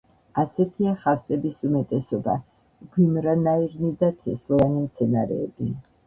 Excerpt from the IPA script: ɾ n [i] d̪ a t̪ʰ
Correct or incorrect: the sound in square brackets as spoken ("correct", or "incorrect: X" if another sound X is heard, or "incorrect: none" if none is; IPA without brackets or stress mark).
correct